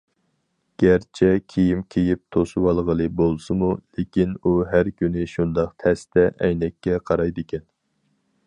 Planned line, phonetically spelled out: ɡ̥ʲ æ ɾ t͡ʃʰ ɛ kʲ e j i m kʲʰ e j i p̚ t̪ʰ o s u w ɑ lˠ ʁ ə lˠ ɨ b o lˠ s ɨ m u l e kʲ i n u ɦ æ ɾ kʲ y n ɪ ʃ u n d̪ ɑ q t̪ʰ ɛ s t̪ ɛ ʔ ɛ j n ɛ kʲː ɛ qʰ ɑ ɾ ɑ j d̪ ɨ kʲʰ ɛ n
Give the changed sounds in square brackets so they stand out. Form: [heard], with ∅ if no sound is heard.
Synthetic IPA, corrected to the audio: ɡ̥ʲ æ ɾ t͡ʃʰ ɛ [kʲʰ] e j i m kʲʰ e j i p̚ t̪ʰ o s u w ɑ lˠ ʁ ə lˠ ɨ b o lˠ s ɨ m u l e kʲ i n u ɦ æ ɾ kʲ y n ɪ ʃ u n d̪ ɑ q t̪ʰ ɛ s t̪ ɛ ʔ ɛ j n ɛ kʲː ɛ qʰ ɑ ɾ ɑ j d̪ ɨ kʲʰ ɛ n